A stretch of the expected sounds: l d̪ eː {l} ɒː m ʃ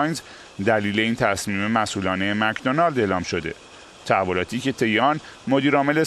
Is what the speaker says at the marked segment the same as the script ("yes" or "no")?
yes